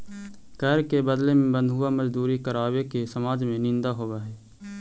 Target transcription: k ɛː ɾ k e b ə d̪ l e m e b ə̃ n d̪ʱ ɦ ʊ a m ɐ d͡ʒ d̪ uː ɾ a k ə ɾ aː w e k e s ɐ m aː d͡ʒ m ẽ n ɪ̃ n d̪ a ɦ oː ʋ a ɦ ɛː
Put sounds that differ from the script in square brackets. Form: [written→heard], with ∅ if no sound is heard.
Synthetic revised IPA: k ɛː ɾ k e b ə d̪ l e m [e→ẽ] b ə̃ n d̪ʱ ɦ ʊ a m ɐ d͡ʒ d̪ uː ɾ [a→i] k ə ɾ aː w e k e s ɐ m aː d͡ʒ m ẽ n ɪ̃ n d̪ a ɦ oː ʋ a ɦ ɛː

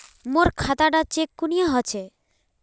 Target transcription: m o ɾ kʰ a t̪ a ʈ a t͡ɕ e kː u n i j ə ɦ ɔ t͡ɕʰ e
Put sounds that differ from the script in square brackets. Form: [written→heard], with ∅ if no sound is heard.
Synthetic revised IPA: m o ɾ kʰ a t̪ a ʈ a t͡ɕ e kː u n i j [ə→a] ɦ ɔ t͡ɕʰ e

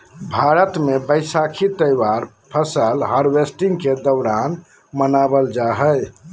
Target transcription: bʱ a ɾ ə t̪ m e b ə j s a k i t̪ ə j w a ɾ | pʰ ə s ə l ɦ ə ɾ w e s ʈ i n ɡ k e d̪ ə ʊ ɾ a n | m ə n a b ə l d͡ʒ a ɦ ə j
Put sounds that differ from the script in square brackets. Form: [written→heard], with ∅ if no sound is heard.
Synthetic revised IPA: bʱ a ɾ ə t̪ m e b ə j s a [k→kʰ] i t̪ ə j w a ɾ | pʰ ə s ə l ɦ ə ɾ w e s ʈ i [n→ŋ] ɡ k e d̪ ə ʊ ɾ a n | m ə n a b ə l d͡ʒ a ɦ ə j

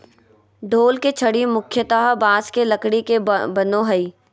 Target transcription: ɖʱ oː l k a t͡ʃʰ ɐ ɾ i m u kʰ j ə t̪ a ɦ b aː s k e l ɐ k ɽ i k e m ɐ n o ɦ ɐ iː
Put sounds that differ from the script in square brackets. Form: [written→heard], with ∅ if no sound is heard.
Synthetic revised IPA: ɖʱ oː l k [a→e] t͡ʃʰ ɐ [ɾ→ɽ] i m [u→ʊ] kʰ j ə t̪ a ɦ b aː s k e l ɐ k ɽ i k e [m→b] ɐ n o ɦ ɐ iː

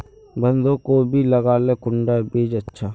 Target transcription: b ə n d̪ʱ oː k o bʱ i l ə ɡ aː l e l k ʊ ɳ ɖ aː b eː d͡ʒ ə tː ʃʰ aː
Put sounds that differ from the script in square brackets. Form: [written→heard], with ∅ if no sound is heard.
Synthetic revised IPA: b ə n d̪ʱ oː k o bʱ i l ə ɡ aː l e [l→∅] k ʊ ɳ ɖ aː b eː d͡ʒ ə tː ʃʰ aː

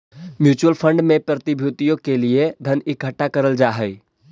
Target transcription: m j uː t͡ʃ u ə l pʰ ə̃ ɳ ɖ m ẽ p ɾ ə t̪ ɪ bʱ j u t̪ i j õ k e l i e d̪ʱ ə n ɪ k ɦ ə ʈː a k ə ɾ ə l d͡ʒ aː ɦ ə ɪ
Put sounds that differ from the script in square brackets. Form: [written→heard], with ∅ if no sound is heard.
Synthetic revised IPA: m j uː t͡ʃ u ə l pʰ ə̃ ɳ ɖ m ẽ p ɾ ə t̪ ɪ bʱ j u t̪ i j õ k e l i e d̪ʱ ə n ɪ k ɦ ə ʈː a k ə ɾ ə l d͡ʒ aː ɦ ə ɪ

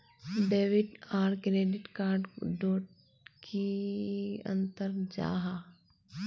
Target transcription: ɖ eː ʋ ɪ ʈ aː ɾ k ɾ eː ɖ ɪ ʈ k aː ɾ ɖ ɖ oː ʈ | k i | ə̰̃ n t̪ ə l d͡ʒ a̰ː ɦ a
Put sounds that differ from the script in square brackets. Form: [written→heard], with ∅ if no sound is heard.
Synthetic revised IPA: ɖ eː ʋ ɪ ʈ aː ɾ k ɾ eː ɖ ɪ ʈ k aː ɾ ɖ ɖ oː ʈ | k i | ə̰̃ n t̪ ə [l→ɾ] d͡ʒ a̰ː ɦ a

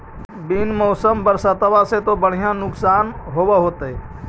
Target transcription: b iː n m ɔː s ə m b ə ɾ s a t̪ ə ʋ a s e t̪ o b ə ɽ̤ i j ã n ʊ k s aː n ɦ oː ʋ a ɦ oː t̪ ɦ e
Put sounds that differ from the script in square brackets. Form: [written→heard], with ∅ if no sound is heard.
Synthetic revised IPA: b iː n m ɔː s ə m b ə ɾ s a t̪ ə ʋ a s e t̪ o b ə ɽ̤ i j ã n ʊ k s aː n ɦ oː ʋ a ɦ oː t̪ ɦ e

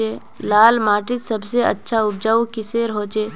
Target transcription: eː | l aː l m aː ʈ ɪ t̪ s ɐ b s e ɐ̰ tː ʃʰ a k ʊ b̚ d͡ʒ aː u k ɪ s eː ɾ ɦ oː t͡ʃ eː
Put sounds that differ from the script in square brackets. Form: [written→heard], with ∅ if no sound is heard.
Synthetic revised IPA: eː | l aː l m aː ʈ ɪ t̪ s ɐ b s e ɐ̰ tː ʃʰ a [k→∅] ʊ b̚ d͡ʒ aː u k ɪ s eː ɾ ɦ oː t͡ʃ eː

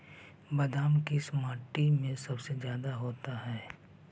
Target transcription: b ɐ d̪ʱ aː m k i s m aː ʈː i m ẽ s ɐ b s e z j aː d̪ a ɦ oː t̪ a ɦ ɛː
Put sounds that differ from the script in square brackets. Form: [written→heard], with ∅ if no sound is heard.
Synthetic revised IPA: b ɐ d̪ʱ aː m k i s m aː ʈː i m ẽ s ɐ b s e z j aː d̪ a ɦ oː t̪ a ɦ ɛː

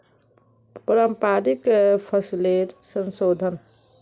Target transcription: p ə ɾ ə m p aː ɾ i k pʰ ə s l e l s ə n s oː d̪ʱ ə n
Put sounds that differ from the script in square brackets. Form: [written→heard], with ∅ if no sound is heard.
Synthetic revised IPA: p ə ɾ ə m p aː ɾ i k pʰ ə s l e [l→ɾ] s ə n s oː d̪ʱ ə n

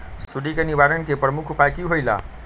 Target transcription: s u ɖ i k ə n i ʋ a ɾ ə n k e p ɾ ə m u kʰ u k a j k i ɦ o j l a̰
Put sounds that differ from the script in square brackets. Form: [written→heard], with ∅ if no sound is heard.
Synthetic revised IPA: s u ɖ i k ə n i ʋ a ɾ ə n k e p ɾ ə m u kʰ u [k→p] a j k i ɦ o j l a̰

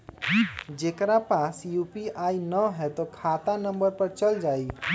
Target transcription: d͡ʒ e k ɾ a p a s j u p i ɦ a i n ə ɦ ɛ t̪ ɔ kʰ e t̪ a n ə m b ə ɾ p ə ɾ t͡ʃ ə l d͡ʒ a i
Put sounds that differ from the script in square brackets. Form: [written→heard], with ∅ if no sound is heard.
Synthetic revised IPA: d͡ʒ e k ɾ a p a s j u p i [ɦ→∅] a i n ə ɦ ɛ t̪ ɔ kʰ [e→a] t̪ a n ə m b ə ɾ p ə ɾ t͡ʃ ə l d͡ʒ a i

